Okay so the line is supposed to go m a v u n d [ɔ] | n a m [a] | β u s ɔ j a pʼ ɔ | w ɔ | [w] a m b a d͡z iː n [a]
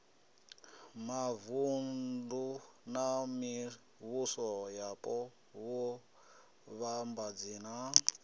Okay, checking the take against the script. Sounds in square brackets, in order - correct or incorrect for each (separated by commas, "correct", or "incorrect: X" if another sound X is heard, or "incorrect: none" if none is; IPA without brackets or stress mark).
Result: incorrect: u, incorrect: i, incorrect: β, correct